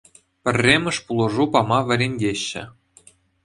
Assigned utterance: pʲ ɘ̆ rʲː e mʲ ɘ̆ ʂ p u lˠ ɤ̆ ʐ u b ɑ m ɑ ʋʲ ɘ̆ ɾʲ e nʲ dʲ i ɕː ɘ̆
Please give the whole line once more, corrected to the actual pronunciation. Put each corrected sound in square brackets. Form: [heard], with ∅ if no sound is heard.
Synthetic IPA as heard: pʲ ɘ̆ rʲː e mʲ ɘ̆ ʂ p u lˠ ɤ̆ ʐ u [p] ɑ m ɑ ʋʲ ɘ̆ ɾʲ e nʲ dʲ [e] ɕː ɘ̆